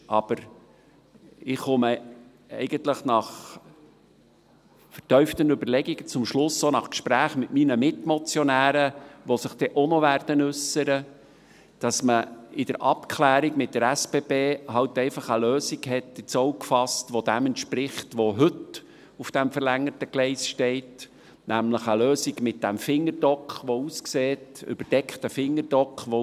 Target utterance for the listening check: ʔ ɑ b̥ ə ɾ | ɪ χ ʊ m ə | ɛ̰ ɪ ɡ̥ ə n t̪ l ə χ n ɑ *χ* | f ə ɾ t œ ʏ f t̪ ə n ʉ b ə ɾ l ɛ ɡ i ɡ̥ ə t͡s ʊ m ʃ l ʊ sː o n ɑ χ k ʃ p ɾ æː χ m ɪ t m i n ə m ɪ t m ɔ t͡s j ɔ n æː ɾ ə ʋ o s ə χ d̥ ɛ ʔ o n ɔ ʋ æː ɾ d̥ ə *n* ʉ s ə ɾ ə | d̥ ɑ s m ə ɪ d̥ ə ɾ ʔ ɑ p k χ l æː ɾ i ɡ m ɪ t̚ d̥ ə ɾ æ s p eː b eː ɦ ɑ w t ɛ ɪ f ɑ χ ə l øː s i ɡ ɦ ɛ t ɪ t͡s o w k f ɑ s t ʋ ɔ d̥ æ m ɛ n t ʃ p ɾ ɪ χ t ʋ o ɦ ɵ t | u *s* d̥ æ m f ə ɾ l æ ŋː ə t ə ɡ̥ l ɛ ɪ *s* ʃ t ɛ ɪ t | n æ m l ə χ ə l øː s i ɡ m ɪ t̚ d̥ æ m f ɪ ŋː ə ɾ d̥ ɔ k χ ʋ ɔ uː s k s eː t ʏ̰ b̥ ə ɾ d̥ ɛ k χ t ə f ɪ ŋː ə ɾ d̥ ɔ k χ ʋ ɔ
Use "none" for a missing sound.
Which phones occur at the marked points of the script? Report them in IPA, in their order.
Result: χ, n, f, s

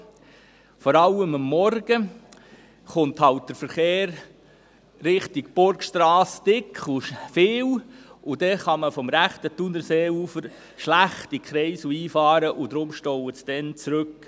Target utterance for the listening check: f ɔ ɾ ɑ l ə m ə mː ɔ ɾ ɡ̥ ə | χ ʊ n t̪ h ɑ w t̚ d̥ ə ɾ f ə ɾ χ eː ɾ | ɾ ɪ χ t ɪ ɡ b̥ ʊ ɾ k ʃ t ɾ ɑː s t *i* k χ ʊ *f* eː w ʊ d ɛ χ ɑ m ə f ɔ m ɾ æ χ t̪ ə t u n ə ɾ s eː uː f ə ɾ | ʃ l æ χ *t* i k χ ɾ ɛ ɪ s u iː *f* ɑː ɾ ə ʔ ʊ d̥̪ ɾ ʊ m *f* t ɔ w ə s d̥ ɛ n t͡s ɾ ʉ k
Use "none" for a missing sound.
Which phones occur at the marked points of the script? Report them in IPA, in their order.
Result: ɪ, f, t, f, ʃ

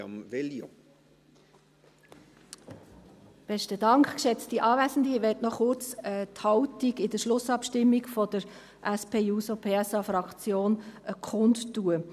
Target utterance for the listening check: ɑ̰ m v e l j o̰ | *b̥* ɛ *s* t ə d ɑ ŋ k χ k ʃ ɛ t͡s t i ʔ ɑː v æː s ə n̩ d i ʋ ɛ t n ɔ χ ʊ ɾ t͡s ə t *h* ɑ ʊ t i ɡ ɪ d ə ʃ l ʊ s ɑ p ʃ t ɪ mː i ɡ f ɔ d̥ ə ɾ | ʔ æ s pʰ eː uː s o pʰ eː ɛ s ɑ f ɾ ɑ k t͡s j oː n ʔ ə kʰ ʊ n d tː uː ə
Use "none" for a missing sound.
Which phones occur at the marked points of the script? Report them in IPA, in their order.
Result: b̥, ʃ, h

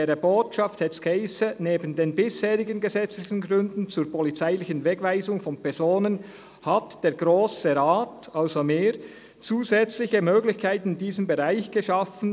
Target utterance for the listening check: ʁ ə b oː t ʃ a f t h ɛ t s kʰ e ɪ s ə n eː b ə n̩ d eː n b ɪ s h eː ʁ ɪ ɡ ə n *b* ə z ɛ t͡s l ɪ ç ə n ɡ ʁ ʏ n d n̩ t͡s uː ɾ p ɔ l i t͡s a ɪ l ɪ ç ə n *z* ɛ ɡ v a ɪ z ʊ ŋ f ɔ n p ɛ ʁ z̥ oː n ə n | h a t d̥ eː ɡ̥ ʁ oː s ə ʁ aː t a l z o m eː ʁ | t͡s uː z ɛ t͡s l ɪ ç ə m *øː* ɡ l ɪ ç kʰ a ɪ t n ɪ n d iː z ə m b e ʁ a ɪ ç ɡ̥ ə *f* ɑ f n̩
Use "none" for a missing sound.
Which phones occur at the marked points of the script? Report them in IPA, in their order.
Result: ɡ, v, øː, ʃ

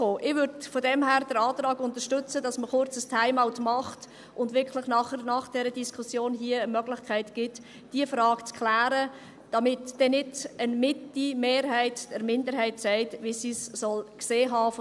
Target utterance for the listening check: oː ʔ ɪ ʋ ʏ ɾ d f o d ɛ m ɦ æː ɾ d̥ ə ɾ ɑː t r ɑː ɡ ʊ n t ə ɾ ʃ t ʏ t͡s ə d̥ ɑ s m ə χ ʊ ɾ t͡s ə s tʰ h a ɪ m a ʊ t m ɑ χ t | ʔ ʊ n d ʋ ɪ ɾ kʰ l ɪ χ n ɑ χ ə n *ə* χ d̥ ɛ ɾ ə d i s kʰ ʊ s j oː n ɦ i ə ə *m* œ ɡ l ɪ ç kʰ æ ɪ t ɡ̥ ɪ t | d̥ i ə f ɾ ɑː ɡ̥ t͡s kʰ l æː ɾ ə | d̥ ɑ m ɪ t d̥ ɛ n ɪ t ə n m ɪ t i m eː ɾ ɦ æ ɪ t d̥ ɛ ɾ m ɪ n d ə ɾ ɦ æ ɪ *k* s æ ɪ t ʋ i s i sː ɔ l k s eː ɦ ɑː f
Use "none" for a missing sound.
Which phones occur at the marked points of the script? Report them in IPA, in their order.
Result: ɑ, m, t

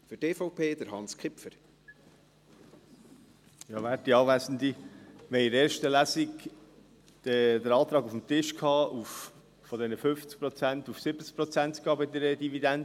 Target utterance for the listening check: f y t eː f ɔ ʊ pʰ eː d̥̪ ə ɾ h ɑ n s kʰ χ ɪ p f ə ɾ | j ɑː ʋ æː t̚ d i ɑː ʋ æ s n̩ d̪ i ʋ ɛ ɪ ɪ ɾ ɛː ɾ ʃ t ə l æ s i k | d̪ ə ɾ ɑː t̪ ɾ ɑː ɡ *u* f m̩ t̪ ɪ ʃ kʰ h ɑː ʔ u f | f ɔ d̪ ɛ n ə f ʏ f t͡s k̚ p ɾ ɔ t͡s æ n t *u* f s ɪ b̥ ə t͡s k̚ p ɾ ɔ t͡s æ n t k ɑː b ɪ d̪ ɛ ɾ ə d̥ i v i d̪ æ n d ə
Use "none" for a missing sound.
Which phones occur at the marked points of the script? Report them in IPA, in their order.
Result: u, u

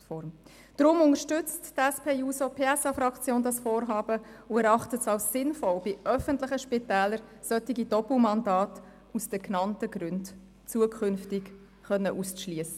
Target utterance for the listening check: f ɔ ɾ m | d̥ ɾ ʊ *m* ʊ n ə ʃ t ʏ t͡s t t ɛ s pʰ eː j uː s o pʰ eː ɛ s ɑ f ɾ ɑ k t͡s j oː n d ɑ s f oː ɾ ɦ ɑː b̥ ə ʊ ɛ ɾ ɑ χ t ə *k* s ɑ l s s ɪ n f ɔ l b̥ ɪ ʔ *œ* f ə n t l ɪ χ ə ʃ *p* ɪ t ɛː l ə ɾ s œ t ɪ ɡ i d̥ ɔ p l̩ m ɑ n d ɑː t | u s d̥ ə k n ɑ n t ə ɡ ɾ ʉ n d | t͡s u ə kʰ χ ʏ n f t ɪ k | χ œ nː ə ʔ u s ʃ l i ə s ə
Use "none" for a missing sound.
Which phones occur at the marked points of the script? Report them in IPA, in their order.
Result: m, t, œ, p

